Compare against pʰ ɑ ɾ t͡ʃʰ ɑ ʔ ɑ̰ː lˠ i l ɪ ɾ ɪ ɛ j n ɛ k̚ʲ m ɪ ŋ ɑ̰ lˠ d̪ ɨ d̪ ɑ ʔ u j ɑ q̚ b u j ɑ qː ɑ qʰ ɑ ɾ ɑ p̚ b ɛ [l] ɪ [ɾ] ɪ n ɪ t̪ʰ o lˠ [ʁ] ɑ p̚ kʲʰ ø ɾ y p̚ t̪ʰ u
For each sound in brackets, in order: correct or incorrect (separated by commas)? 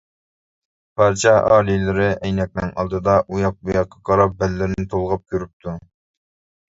incorrect, correct, correct